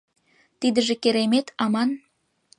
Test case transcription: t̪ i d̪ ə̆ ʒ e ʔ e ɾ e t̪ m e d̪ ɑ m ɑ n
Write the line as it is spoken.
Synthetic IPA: t̪ i d̪ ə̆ ʒ e k e ɾ e m e t̪ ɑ m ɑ n